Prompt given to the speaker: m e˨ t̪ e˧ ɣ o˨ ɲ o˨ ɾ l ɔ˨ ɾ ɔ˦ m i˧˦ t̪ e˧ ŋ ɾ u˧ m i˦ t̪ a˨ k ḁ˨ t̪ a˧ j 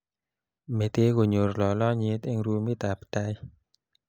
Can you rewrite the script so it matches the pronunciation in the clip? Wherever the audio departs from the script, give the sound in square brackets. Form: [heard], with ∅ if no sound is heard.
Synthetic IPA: m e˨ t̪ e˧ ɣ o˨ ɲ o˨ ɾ l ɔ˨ [l] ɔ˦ [ɲ] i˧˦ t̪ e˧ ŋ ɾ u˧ m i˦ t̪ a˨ [p] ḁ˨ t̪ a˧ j